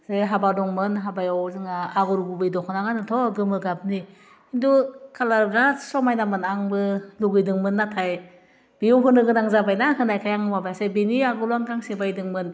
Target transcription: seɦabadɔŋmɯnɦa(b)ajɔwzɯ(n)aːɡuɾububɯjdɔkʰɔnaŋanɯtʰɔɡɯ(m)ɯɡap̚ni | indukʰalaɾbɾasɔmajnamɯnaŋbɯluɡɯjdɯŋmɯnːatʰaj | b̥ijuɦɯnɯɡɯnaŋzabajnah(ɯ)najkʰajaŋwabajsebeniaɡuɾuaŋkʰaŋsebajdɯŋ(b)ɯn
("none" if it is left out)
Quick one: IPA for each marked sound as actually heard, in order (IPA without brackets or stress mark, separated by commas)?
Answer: b, ŋ, m, ɯ, m